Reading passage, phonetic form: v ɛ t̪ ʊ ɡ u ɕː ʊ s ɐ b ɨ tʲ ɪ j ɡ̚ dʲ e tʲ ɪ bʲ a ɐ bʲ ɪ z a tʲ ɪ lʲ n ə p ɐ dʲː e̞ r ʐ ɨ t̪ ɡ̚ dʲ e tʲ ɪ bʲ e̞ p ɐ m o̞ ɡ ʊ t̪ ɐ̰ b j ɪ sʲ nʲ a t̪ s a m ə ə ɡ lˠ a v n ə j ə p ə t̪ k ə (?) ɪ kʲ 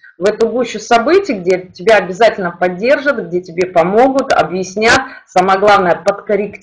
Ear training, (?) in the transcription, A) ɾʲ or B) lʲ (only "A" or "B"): A